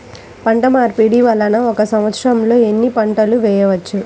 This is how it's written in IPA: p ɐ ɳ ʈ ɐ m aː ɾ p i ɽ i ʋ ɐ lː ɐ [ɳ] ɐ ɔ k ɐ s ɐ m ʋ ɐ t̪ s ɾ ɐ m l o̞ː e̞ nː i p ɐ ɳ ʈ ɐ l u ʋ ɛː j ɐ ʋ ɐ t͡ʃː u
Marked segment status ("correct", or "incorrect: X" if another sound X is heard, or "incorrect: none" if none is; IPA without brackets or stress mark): incorrect: n